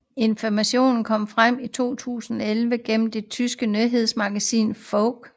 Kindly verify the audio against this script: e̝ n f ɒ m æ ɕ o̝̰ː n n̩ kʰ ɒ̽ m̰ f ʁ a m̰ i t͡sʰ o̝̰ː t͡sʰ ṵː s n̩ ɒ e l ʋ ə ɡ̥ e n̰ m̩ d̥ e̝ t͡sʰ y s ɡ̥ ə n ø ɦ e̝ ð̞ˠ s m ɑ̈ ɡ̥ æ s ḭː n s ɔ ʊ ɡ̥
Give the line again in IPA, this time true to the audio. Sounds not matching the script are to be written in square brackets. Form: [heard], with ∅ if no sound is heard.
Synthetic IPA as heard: e̝ n f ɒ m æ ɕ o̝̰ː n n̩ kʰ ɒ̽ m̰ f ʁ a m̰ i t͡sʰ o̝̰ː t͡sʰ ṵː s n̩ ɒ e l ʋ ə ɡ̥ e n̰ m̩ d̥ e̝ t͡sʰ y s ɡ̥ ə n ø ɦ e̝ ð̞ˠ s m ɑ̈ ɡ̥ æ s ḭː n [f] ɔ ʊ ɡ̥

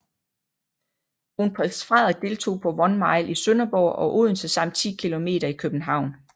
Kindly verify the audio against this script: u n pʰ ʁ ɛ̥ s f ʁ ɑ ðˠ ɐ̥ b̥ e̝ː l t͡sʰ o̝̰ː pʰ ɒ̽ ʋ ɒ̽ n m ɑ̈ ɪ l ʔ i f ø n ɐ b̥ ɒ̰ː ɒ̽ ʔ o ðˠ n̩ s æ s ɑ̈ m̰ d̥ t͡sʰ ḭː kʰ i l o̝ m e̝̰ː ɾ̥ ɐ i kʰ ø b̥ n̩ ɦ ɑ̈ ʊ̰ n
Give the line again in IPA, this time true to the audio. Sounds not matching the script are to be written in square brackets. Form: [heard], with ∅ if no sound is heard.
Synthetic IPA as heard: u n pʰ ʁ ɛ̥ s f ʁ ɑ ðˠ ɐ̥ [d̥] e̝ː l t͡sʰ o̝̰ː pʰ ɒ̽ ʋ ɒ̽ n m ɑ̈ ɪ l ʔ i [s] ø n ɐ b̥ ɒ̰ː ɒ̽ ʔ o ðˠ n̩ s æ s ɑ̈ m̰ d̥ t͡sʰ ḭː kʰ i l o̝ m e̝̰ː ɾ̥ ɐ i kʰ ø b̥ n̩ ɦ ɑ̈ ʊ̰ n

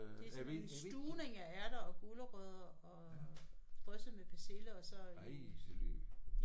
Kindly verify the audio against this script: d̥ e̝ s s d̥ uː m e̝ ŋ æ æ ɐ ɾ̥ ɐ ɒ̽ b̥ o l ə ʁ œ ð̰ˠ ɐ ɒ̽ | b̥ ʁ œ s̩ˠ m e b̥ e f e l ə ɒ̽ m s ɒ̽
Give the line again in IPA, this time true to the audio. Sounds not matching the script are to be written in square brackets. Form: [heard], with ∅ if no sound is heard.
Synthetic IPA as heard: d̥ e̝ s s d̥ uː [n] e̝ ŋ æ æ ɐ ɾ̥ ɐ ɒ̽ [ɡ̥] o l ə ʁ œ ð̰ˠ ɐ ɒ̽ | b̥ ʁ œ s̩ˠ m e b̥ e [s] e l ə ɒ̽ [∅] s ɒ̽

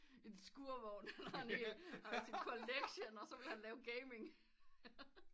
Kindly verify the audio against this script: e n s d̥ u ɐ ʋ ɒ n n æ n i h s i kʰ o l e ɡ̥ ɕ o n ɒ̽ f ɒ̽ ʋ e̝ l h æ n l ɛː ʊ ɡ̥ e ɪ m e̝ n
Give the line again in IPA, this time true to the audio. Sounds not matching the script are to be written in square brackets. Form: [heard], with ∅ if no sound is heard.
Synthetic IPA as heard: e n s [ɡ̥] u ɐ ʋ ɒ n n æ n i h s i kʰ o l e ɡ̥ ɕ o n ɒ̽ [s] ɒ̽ ʋ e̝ l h æ n l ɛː ʊ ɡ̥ e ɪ m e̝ [ŋ]

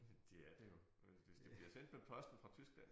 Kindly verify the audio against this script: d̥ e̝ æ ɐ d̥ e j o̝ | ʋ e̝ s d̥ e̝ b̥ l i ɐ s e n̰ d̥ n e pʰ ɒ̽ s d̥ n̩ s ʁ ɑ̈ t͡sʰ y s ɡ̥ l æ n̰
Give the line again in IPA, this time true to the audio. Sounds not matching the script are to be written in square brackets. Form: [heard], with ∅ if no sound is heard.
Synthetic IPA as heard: d̥ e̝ æ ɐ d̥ e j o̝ | ʋ e̝ s d̥ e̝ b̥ l i ɐ s e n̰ d̥ [m] e pʰ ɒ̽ s d̥ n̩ [f] ʁ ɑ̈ t͡sʰ y s ɡ̥ l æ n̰

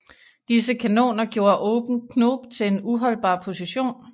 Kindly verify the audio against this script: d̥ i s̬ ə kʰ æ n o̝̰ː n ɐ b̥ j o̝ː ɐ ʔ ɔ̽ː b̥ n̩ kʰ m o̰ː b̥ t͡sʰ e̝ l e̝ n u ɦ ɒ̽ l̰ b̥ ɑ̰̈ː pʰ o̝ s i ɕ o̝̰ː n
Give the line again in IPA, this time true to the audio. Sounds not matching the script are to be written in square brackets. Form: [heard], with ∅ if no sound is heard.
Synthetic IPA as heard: d̥ i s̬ ə kʰ æ n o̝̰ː n ɐ [ɡ̥] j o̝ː ɐ ʔ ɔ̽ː b̥ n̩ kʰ [n] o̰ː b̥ t͡sʰ e̝ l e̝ n u ɦ ɒ̽ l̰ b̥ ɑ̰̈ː pʰ o̝ s i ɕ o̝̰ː n

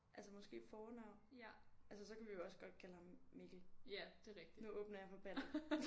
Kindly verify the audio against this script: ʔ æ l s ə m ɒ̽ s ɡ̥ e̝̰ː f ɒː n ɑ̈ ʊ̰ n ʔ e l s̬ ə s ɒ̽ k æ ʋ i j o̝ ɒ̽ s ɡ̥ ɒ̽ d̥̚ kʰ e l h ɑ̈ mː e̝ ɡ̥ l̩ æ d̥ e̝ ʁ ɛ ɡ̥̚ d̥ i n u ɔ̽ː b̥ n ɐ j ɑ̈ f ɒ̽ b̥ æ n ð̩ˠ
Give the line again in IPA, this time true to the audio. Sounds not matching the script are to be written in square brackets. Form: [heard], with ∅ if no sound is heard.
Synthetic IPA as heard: ʔ æ l s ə m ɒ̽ s ɡ̥ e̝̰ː f ɒː n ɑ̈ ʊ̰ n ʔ [æ] l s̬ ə s ɒ̽ k æ ʋ i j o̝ ɒ̽ s ɡ̥ ɒ̽ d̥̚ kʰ [æ] l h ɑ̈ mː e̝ ɡ̥ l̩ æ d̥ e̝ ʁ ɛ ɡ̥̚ d̥ i n u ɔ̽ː b̥ n ɐ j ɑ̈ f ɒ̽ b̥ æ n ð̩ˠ

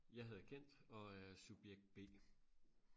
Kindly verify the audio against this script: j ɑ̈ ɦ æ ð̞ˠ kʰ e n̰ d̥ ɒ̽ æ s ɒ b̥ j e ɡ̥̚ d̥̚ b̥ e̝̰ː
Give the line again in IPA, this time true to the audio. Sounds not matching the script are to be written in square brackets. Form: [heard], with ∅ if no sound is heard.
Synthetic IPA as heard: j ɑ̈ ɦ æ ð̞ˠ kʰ e n̰ d̥ ɒ̽ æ s [u] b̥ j e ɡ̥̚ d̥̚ b̥ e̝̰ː

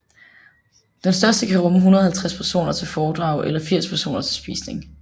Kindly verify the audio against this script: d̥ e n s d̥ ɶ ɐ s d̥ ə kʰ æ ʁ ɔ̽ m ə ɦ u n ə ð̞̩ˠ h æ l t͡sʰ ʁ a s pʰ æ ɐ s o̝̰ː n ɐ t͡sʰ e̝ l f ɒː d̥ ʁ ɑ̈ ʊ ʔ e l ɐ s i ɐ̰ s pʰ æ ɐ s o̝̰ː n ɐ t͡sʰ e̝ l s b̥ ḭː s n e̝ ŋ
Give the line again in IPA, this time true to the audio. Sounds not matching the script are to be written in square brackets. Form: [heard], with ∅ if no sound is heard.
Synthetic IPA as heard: d̥ e n s d̥ ɶ ɐ s d̥ ə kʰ æ ʁ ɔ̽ m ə ɦ u n [ɐ] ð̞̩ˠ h æ l t͡sʰ ʁ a s pʰ æ ɐ s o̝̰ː n ɐ t͡sʰ e̝ l f ɒː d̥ ʁ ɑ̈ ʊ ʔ e l ɐ [f] i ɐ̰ s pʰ æ ɐ s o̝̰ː n ɐ t͡sʰ e̝ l s b̥ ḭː s n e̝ ŋ

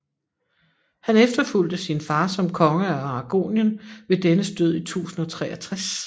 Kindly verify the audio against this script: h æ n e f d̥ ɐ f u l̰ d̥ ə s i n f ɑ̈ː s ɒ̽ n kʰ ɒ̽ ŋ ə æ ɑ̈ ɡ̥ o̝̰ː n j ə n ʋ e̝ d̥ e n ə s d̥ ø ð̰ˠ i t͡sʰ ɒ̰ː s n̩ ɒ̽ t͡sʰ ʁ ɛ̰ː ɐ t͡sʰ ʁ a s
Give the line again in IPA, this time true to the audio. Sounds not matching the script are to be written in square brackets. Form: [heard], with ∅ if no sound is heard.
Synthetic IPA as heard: h æ n e f d̥ ɐ f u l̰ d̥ ə s i n f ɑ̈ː s ɒ̽ [m] kʰ ɒ̽ ŋ ə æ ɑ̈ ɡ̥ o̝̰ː n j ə n ʋ e̝ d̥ e n ə s d̥ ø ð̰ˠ i t͡sʰ [ṵː] s n̩ ɒ̽ t͡sʰ ʁ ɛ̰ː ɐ t͡sʰ ʁ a s

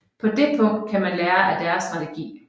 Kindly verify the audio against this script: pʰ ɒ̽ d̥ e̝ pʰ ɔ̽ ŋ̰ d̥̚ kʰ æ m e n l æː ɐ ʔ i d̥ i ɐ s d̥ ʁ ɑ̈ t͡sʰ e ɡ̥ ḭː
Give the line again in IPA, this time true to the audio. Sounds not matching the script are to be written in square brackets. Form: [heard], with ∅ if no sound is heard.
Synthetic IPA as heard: pʰ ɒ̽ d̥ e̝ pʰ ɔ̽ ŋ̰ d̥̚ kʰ æ m [æ] n l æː ɐ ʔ [æ] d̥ [æ] ɐ s d̥ ʁ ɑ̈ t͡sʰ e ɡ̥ ḭː

